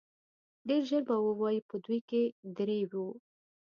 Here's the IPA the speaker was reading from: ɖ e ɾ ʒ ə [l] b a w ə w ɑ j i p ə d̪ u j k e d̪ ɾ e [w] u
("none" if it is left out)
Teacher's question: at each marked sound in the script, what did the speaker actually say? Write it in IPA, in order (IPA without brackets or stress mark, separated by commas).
ɾ, w